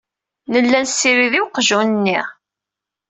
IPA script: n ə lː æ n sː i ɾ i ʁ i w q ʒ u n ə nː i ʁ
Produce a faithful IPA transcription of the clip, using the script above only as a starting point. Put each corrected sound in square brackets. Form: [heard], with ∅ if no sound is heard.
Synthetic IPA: n ə lː æ n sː i ɾ i [ð] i w q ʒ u n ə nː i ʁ